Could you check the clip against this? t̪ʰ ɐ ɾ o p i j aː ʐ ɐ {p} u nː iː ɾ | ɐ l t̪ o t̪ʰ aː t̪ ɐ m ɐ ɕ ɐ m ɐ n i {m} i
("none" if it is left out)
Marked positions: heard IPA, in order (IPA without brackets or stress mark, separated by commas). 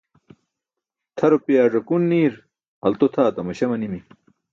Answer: k, m